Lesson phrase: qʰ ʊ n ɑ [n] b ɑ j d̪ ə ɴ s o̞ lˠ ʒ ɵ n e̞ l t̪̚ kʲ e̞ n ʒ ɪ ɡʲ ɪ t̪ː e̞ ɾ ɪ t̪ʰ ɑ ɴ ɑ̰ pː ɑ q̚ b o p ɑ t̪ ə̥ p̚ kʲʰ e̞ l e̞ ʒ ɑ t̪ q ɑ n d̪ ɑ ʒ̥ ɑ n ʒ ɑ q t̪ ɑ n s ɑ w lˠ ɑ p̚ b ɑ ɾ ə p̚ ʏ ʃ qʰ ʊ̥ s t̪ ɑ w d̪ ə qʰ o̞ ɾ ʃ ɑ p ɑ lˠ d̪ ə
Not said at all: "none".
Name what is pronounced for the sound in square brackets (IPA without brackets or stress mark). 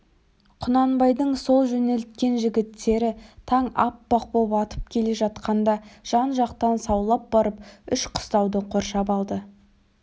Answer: n